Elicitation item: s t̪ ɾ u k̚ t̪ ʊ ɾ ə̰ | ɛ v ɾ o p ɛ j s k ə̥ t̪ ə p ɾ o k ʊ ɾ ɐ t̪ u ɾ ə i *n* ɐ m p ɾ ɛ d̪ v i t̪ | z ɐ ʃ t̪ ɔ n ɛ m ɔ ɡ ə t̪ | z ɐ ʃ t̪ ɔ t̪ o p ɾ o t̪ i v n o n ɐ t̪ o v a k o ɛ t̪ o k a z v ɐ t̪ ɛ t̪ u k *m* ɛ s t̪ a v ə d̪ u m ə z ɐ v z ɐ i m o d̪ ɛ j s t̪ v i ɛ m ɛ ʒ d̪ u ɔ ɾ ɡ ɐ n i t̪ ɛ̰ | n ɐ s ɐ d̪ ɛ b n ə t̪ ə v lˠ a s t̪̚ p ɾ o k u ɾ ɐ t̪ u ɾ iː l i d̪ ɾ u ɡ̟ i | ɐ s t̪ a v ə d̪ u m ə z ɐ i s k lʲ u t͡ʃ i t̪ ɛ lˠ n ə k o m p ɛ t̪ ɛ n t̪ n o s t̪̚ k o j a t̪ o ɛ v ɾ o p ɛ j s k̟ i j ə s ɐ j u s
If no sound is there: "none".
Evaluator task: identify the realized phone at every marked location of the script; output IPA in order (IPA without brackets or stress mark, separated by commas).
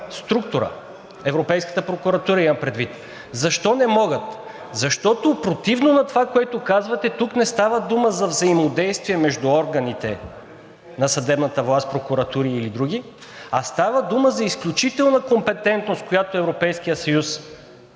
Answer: m, n